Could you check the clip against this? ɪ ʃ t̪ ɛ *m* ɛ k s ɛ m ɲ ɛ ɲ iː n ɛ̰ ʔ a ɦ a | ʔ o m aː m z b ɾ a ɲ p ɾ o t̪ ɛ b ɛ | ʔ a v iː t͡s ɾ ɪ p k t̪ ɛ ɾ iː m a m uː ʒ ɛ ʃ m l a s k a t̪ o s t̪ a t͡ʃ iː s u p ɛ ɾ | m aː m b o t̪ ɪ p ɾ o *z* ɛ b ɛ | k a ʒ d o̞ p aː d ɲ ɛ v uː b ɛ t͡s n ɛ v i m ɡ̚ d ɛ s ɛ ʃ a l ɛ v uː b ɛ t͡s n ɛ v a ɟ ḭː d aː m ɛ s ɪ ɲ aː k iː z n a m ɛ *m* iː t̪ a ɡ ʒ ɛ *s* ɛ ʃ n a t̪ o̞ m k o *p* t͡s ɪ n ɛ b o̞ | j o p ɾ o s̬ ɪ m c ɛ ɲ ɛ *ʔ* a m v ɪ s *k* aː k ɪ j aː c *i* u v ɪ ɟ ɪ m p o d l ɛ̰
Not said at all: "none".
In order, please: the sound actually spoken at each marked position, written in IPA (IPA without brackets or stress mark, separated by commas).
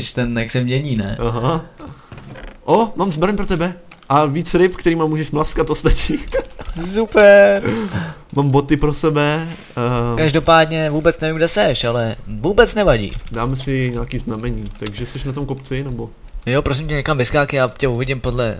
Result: n, s, ɲ, s, p, k, k, ɛ